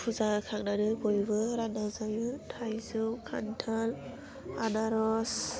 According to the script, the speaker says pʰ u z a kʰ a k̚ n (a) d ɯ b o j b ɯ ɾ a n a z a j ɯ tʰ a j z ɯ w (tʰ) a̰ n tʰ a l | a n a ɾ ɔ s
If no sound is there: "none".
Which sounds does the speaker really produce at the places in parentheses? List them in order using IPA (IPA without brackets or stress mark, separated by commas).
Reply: a, kʰ